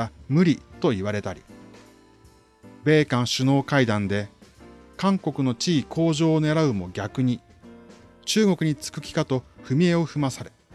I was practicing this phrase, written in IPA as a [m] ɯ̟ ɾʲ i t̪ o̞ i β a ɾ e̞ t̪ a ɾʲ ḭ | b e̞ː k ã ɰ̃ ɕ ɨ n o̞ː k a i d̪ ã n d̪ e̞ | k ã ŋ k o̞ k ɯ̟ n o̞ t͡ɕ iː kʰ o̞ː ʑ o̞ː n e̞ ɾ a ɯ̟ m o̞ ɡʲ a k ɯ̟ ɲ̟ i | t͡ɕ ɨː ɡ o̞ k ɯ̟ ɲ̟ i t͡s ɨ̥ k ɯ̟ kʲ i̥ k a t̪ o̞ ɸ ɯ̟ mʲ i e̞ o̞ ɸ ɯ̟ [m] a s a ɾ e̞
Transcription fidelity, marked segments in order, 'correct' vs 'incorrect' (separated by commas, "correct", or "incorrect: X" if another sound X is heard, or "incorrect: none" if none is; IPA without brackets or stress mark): correct, correct